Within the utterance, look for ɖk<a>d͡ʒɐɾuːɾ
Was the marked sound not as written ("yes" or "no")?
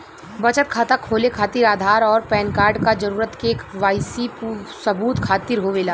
no